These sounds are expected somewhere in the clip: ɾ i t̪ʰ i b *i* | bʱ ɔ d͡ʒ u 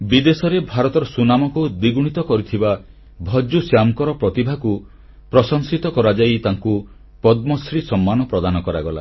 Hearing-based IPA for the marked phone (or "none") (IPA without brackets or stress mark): a